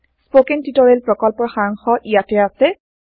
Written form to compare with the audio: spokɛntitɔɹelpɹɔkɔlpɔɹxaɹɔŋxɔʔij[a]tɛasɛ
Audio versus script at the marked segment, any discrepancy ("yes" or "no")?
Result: no